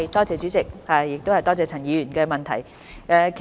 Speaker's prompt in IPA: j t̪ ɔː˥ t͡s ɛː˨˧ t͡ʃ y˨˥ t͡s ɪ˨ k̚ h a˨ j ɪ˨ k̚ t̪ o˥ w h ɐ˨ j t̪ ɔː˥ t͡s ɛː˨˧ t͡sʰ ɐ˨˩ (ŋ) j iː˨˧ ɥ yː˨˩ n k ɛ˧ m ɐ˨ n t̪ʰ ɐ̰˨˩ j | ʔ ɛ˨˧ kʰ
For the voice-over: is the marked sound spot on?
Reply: no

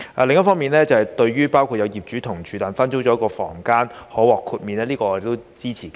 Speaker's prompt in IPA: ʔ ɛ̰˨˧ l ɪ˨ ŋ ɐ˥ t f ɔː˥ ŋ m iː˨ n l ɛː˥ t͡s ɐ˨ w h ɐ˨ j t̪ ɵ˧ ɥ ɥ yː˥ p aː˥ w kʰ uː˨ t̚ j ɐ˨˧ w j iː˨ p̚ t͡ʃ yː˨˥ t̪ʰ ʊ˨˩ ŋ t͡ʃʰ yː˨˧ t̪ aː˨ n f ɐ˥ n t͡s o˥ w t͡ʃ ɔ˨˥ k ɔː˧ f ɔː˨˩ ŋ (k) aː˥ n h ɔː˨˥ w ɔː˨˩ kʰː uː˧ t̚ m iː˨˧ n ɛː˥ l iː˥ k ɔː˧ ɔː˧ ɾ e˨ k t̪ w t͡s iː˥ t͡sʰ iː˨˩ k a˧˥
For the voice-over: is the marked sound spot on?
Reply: yes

